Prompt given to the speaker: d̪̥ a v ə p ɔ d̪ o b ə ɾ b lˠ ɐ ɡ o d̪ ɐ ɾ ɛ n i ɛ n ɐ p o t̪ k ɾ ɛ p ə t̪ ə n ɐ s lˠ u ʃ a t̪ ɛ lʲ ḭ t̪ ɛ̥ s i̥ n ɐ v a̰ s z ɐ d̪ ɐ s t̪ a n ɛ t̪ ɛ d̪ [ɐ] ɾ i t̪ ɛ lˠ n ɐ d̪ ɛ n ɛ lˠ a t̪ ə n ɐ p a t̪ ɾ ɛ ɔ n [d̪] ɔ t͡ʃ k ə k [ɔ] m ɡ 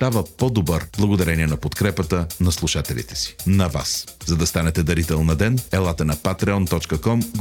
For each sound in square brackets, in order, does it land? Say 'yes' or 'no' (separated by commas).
yes, no, yes